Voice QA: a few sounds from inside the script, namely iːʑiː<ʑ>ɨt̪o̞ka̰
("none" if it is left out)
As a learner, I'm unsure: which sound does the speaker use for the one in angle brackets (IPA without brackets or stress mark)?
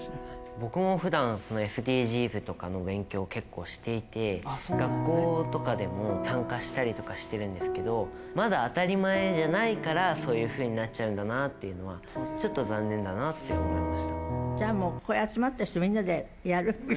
z